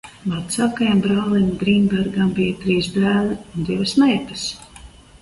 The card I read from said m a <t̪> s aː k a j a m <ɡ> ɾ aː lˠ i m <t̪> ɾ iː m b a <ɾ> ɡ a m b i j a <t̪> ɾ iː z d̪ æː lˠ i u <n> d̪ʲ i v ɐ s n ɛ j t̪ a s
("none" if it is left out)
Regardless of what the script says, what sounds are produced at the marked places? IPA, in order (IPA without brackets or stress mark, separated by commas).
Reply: t̪, b, d̪, ɾ, t̪, n